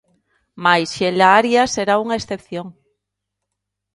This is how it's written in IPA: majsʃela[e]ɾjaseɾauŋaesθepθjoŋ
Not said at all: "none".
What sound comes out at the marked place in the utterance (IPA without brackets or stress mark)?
a